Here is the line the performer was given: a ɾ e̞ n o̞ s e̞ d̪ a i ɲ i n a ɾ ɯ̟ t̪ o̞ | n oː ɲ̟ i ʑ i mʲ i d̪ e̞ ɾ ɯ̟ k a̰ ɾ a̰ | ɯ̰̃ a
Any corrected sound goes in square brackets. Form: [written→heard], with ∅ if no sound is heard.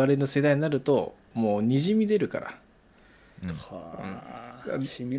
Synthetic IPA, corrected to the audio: a ɾ e̞ n o̞ s e̞ d̪ a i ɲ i n a ɾ ɯ̟ t̪ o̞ | [n→m] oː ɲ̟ i ʑ i mʲ i d̪ e̞ ɾ ɯ̟ k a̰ ɾ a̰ | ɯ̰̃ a